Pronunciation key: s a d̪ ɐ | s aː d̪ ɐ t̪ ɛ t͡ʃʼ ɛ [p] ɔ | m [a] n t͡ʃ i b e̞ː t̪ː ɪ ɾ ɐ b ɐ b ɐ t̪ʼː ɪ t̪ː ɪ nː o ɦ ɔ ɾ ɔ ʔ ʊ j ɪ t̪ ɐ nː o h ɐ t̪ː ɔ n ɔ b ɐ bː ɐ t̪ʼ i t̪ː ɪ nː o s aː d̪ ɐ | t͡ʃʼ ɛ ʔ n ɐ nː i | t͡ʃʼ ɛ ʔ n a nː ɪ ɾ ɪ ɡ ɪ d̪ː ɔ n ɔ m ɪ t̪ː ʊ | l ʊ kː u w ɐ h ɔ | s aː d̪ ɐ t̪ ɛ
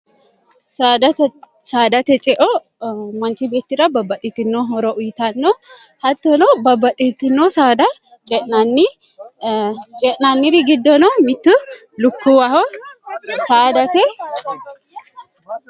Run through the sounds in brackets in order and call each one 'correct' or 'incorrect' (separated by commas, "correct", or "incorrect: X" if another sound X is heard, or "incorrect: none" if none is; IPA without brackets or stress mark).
incorrect: ʔ, incorrect: ɐ